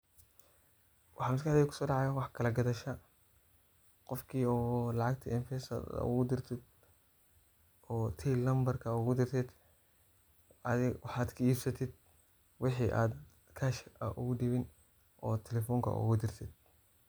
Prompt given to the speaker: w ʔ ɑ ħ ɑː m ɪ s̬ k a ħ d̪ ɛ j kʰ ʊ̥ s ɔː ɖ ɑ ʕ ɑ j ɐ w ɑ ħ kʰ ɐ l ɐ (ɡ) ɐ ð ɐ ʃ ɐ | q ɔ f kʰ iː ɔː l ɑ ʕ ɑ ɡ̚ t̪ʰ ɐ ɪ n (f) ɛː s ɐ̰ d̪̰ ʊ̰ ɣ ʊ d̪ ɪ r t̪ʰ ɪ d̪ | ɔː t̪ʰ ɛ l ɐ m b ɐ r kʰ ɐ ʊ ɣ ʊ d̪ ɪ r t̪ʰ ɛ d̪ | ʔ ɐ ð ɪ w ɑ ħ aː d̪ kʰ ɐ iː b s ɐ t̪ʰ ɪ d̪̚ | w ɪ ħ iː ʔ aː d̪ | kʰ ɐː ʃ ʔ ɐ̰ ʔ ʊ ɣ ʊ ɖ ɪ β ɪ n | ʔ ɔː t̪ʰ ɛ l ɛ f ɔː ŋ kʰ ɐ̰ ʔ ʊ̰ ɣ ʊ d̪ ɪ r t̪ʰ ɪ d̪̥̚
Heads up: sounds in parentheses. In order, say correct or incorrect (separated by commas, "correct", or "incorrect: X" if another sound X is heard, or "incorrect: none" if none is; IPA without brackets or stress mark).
correct, correct